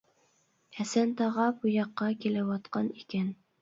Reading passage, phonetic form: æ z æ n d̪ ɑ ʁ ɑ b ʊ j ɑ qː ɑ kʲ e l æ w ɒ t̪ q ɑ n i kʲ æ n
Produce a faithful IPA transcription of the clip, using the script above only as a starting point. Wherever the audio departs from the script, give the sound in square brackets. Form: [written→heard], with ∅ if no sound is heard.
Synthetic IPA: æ [z→s] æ n [d̪→t̪] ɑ ʁ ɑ b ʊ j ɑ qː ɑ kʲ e l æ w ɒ t̪ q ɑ n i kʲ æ n